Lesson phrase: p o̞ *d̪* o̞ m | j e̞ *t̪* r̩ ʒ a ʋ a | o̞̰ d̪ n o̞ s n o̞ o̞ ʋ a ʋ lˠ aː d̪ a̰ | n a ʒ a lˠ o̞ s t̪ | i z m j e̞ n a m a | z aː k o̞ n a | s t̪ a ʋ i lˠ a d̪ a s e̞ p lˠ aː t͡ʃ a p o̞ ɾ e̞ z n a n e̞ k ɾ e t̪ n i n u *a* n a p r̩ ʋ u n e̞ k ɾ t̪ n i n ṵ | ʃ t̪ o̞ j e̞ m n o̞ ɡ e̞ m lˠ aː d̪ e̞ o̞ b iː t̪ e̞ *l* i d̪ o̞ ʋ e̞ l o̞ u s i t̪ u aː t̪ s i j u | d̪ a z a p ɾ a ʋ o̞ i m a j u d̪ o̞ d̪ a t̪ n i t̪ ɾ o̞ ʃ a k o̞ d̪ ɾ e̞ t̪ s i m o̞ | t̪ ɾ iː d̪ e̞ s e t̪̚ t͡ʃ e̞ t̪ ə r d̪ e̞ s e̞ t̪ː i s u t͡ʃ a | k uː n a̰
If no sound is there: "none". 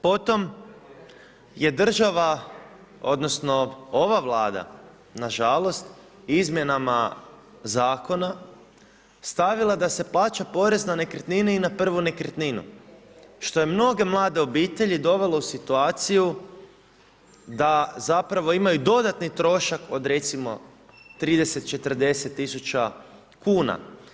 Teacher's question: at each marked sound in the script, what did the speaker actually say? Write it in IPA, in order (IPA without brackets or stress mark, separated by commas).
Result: t̪, d̪, i, ʎ